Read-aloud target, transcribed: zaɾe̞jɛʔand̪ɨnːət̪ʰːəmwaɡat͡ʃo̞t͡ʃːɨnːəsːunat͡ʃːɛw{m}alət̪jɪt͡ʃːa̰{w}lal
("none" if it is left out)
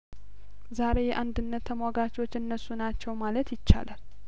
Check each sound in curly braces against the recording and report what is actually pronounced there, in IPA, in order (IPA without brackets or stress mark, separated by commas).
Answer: m, none